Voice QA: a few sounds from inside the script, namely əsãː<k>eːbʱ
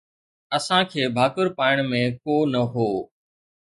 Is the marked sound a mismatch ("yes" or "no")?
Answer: yes